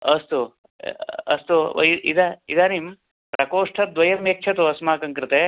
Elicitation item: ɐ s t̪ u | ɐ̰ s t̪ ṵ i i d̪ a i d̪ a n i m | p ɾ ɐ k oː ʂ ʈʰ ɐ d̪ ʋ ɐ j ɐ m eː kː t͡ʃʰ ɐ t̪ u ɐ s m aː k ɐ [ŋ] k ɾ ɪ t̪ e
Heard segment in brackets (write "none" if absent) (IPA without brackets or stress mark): ŋ